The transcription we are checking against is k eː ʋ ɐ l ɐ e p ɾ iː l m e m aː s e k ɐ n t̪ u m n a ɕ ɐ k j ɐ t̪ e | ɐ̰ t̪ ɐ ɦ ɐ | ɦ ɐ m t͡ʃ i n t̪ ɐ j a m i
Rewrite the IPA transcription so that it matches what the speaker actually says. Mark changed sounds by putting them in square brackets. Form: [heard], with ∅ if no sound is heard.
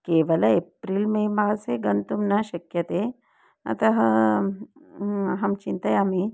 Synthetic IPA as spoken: k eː ʋ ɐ l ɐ e p ɾ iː l m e m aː s e [ɡ] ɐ n t̪ u m n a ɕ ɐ k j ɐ t̪ e | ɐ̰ t̪ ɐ ɦ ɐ | ɦ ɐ m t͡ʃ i n t̪ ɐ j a m i